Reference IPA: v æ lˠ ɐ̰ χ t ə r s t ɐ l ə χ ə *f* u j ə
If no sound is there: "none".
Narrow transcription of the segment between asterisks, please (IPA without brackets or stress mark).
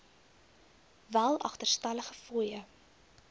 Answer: f